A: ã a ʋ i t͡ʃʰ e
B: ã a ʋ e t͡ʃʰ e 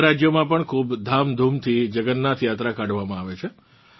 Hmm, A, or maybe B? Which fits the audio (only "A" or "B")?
B